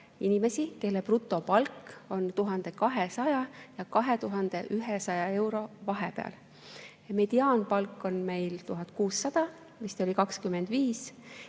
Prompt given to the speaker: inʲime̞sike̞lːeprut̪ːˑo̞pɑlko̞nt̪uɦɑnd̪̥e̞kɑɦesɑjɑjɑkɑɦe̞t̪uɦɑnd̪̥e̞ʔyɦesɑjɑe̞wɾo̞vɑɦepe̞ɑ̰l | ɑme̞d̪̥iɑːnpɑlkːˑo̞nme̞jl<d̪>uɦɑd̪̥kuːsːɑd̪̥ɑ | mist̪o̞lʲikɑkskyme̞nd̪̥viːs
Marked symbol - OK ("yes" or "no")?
no